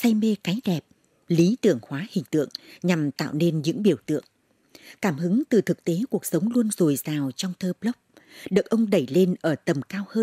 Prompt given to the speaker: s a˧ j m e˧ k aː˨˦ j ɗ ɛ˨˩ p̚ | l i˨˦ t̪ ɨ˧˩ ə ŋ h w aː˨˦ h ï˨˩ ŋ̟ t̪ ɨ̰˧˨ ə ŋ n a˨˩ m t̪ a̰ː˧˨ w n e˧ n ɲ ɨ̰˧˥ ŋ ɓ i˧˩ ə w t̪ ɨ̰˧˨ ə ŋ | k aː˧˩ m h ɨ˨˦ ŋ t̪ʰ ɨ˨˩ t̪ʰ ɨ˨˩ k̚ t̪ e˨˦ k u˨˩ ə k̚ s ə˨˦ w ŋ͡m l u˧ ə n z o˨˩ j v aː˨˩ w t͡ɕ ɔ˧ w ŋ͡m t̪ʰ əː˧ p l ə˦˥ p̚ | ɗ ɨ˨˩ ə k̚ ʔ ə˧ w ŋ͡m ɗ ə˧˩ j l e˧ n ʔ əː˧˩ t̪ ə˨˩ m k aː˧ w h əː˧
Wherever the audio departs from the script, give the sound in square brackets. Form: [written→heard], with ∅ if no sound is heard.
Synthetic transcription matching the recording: s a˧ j m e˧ k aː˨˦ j ɗ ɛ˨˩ p̚ | l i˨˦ t̪ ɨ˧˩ ə ŋ h w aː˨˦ h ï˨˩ ŋ̟ t̪ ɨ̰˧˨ ə ŋ [n→ɲ] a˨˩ m t̪ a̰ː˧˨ w n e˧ n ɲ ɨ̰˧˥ ŋ ɓ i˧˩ ə w t̪ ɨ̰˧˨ ə ŋ | k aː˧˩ m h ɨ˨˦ ŋ [t̪ʰ→t̪] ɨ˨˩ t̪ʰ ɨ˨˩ k̚ t̪ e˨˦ k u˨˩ ə k̚ s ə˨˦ w ŋ͡m l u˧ ə n z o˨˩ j [v→z] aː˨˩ w t͡ɕ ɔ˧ w ŋ͡m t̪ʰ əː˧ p l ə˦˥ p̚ | ɗ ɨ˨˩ ə k̚ ʔ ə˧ w ŋ͡m ɗ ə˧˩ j l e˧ n ʔ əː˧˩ t̪ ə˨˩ m k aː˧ w h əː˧

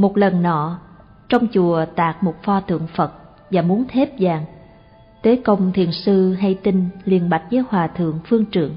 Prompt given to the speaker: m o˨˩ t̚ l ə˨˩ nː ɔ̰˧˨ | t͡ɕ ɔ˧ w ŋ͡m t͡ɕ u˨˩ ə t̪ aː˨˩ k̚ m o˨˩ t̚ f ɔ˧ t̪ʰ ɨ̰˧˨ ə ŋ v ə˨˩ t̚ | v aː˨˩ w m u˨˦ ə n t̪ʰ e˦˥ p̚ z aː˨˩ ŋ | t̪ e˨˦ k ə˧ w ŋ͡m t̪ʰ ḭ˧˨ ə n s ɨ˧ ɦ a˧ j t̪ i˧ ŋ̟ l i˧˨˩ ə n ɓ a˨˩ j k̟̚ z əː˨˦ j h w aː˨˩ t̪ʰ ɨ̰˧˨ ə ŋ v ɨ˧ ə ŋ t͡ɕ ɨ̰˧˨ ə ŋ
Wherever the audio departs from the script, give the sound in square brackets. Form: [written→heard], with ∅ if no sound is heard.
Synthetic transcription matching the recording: m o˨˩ t̚ l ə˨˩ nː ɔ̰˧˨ | t͡ɕ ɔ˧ w ŋ͡m t͡ɕ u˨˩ ə t̪ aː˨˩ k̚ m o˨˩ t̚ f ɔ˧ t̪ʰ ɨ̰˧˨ ə ŋ [v→f] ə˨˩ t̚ | v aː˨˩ [w→∅] m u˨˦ ə n t̪ʰ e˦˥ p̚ z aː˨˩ ŋ | t̪ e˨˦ k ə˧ w ŋ͡m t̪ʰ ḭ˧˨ ə n s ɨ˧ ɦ a˧ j t̪ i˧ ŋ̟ l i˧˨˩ ə n ɓ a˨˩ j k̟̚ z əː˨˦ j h w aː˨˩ t̪ʰ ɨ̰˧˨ ə ŋ [v→f] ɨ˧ ə ŋ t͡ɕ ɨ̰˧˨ ə ŋ

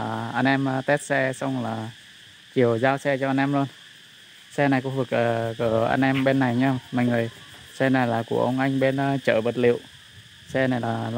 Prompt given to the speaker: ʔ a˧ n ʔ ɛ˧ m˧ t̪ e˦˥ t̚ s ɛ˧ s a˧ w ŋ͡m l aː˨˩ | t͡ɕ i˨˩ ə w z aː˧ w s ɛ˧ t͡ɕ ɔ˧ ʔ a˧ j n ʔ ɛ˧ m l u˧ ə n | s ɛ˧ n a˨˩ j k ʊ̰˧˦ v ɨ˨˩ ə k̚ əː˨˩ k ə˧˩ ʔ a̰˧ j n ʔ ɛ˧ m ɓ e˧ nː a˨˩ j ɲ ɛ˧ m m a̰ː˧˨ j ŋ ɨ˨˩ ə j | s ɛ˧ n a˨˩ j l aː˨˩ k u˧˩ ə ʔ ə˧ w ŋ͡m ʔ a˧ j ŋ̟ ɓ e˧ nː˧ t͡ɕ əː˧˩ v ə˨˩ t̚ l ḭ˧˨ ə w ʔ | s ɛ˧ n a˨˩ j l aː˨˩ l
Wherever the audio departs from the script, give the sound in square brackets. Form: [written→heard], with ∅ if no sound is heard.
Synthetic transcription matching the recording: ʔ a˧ n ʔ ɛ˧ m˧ t̪ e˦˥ t̚ s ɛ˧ s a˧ w ŋ͡m l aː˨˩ | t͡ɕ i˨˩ ə w z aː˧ w s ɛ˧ t͡ɕ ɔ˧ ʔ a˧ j n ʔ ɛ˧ m l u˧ ə n | s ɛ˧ n a˨˩ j k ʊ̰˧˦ v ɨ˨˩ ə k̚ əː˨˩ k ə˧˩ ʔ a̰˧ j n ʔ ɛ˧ m ɓ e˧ nː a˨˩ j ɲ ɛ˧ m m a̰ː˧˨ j ŋ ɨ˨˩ ə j | s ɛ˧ n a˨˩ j l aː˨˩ k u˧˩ ə ʔ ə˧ w ŋ͡m ʔ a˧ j ŋ̟ ɓ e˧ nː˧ t͡ɕ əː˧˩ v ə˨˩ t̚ l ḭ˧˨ ə w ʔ | s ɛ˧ n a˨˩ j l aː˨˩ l

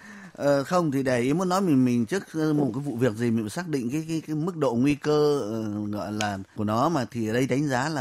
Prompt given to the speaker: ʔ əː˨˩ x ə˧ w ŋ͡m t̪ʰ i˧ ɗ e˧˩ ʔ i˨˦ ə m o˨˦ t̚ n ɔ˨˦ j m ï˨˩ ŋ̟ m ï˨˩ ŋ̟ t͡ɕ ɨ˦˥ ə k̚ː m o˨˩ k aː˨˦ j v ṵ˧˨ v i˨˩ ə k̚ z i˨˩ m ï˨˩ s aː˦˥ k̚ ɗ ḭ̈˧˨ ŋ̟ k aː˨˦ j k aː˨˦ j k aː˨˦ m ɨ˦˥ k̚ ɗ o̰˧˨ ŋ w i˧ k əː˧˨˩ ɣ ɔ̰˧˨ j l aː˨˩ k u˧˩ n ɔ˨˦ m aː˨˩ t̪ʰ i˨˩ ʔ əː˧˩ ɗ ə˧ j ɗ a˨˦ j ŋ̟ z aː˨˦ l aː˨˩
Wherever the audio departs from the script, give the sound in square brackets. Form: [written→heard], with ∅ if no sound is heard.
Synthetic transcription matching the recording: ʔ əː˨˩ x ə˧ w ŋ͡m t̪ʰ [i˧→i˨˩] ɗ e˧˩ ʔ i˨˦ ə m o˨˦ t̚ n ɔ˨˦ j m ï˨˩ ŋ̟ m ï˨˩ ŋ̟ t͡ɕ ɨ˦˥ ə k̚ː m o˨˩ k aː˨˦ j v ṵ˧˨ v i˨˩ ə k̚ z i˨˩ m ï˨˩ s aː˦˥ k̚ ɗ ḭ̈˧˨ ŋ̟ k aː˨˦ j k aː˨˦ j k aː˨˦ m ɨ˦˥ k̚ ɗ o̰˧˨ ŋ w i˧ k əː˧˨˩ ɣ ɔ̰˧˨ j l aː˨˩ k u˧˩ n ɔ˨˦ m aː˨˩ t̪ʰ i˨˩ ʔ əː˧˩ ɗ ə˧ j ɗ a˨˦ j ŋ̟ z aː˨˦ l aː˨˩

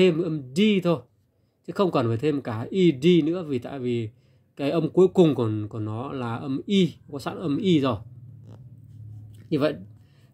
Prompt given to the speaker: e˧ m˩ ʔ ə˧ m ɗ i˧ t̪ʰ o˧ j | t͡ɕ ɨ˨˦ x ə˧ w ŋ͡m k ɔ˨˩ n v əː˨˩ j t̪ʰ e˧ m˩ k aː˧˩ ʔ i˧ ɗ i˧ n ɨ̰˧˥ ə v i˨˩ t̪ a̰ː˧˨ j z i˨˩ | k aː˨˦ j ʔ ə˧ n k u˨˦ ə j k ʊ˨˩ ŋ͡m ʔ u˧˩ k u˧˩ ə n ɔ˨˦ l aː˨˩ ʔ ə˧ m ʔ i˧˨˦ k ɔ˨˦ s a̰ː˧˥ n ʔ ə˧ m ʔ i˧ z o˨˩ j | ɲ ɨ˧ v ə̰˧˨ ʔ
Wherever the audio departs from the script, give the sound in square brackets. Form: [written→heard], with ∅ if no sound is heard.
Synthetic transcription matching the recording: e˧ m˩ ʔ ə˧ m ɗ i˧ t̪ʰ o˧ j | t͡ɕ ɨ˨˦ x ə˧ w ŋ͡m k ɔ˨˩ n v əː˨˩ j t̪ʰ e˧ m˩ k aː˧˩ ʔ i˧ ɗ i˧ n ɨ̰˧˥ ə v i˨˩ t̪ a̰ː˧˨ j [z→v] i˨˩ | k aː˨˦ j ʔ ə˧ [n→m] k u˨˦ ə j k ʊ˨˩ ŋ͡m [ʔ→k] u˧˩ k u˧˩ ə n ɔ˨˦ l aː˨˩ ʔ ə˧ m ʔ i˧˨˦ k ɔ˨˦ s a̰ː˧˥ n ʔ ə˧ m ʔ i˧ z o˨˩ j | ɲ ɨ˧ v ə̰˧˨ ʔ

